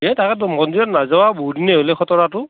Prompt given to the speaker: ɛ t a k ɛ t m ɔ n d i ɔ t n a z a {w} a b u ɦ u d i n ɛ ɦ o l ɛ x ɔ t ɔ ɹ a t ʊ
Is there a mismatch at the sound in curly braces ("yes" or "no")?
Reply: no